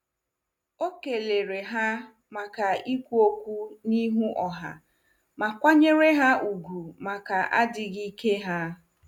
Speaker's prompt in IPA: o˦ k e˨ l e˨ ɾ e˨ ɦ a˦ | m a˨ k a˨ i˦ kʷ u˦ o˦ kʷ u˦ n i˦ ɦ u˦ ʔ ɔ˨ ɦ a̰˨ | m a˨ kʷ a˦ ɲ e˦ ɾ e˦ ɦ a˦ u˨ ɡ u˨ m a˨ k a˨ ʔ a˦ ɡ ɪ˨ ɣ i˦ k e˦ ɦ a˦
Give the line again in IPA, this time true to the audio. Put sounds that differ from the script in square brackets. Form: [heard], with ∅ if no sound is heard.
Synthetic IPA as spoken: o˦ k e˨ l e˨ ɾ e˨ ɦ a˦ | m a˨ k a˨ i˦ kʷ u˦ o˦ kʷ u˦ n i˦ ɦ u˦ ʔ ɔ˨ ɦ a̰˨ | m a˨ kʷ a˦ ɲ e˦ ɾ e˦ ɦ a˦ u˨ ɡ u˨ m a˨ k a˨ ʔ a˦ [d] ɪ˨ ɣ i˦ k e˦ ɦ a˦